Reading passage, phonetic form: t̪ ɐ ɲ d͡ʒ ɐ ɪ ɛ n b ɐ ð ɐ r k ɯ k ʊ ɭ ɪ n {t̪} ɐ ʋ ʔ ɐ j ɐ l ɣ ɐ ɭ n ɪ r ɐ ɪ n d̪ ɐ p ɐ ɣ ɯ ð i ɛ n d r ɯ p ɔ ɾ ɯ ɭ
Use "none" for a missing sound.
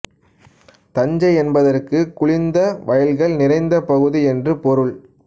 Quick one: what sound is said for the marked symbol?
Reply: d̪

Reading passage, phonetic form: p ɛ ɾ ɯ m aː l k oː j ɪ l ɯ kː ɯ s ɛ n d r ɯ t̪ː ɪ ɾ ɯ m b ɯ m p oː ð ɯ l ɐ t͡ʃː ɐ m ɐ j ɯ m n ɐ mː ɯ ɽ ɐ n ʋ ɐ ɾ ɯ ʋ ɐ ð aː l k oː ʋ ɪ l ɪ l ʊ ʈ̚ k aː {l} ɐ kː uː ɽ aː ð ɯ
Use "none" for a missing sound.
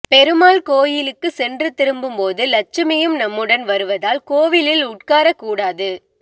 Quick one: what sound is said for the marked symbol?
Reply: ɾ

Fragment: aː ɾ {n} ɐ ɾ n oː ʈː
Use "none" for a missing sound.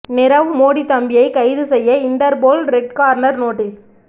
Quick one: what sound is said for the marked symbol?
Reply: n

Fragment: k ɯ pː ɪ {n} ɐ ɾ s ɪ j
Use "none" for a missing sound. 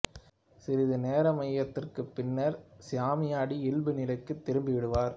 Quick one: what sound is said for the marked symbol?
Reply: nː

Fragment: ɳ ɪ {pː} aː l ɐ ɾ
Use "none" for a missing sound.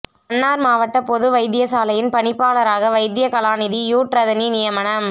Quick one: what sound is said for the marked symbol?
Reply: pː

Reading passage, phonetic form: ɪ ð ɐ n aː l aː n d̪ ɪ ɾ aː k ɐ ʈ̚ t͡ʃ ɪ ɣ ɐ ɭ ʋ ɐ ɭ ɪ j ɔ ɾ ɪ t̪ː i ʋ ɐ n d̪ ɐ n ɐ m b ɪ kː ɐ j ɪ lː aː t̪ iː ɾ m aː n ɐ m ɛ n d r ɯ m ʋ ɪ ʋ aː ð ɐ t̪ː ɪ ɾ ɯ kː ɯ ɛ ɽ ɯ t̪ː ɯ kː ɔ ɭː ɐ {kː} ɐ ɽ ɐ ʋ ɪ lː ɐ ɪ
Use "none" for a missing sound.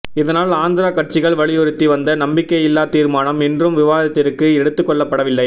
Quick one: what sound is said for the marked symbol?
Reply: pː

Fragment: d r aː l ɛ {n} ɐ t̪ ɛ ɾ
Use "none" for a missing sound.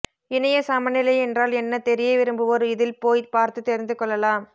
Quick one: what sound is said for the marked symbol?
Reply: nː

